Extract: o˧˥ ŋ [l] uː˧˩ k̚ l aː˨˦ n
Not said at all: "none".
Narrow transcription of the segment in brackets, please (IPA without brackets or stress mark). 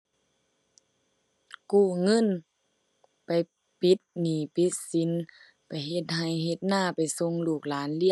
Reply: l